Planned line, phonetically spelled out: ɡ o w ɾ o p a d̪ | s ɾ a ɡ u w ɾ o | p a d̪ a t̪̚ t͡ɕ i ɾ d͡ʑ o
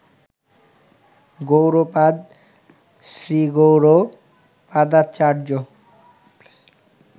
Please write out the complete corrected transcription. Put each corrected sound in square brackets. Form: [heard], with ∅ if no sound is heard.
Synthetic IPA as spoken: ɡ o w ɾ o p a d̪ | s ɾ [i] ɡ [o] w ɾ o | p a d̪ a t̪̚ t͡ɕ [a] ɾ d͡ʑ o